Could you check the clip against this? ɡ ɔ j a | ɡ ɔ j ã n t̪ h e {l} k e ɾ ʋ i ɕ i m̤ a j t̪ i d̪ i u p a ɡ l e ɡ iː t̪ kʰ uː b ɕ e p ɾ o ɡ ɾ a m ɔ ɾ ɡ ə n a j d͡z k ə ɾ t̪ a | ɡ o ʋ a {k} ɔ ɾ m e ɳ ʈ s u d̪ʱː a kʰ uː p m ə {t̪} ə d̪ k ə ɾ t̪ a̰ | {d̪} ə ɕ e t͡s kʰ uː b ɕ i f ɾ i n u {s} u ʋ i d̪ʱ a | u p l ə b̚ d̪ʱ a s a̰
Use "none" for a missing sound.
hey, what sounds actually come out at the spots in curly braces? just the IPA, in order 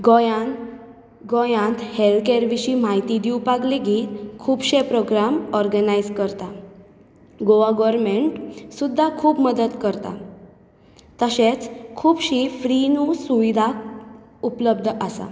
l, ɡ, d̪, t̪, s

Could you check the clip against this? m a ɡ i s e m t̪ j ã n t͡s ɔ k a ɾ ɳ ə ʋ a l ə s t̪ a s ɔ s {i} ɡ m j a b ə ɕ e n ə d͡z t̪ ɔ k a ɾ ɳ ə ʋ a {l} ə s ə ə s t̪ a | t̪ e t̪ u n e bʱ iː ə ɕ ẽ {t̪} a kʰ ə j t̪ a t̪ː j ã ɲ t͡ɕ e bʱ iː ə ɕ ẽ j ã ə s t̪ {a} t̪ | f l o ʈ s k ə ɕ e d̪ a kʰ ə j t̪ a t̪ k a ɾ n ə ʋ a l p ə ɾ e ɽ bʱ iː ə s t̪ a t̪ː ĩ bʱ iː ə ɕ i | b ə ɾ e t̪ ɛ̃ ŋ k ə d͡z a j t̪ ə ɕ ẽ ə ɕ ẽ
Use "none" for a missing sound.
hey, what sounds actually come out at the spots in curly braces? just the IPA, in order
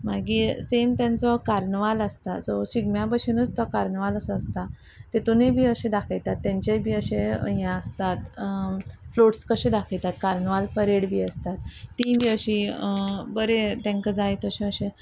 i, l, d̪, a

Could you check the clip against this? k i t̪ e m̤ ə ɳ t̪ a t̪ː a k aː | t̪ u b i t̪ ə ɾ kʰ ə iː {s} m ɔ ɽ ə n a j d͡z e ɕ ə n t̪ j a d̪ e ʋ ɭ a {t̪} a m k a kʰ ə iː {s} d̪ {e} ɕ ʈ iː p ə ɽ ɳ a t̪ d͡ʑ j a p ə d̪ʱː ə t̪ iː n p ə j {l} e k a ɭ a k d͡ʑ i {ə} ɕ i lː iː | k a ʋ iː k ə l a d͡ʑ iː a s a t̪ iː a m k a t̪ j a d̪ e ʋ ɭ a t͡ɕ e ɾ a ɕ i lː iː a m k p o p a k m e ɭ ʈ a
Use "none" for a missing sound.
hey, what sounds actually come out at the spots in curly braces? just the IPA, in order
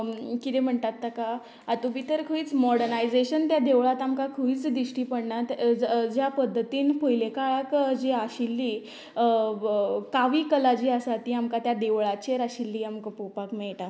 t͡s, t̪, t͡s, i, l, a

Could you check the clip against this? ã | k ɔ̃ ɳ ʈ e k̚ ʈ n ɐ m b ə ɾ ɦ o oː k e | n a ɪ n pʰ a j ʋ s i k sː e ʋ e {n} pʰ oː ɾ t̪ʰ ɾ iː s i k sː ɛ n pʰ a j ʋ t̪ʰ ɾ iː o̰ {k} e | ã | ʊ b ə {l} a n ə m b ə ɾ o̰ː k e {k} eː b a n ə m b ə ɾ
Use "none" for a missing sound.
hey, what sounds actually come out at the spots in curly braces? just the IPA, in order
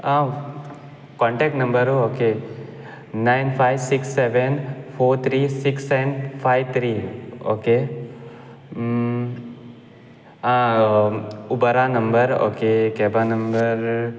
n, k, ɾ, k

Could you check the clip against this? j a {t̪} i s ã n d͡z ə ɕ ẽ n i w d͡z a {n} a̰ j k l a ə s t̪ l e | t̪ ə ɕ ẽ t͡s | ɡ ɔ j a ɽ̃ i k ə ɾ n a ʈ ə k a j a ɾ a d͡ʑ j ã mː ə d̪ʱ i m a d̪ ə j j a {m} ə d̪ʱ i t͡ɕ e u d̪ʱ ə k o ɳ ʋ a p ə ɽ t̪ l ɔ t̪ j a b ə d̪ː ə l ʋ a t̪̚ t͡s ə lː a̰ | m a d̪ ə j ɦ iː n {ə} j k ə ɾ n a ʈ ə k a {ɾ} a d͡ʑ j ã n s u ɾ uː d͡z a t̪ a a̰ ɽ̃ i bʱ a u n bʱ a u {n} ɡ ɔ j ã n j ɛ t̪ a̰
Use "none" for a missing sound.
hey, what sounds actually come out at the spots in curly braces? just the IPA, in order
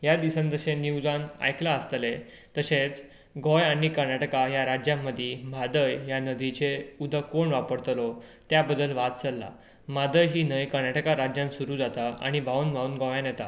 d̪, n, n, ə, ɾ, n

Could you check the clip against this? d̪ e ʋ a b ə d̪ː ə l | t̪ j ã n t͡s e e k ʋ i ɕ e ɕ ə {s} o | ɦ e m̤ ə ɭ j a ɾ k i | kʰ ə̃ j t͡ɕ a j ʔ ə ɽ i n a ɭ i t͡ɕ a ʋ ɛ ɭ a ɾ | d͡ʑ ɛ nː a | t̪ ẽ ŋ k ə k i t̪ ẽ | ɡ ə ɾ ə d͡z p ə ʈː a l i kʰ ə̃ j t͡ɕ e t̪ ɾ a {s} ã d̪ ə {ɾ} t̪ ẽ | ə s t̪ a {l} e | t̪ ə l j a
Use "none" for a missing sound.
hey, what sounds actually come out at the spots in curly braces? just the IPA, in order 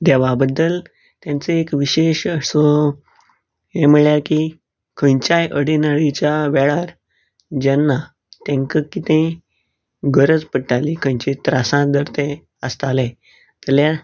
s, s, ɾ, l

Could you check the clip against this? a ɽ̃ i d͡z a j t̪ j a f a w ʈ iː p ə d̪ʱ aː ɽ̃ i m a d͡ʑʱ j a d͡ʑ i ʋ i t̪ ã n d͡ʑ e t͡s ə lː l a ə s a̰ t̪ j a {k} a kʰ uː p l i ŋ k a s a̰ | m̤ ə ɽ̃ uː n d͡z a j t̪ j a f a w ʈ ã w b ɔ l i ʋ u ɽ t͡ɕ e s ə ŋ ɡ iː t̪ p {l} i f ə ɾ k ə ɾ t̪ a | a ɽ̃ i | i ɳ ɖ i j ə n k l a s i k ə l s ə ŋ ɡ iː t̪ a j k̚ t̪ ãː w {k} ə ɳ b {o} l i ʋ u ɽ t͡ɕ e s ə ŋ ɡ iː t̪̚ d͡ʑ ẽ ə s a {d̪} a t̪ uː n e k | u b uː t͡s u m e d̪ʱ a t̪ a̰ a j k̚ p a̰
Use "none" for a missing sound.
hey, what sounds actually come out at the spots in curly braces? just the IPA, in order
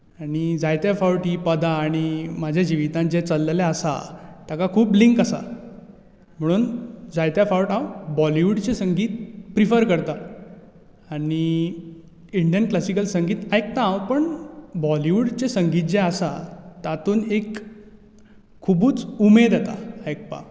k, ɾ, p, ɔ, t̪

